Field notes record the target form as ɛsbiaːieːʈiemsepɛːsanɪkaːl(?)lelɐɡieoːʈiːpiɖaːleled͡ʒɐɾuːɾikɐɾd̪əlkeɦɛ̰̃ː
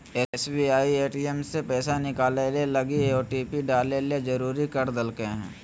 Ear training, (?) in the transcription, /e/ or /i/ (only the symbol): e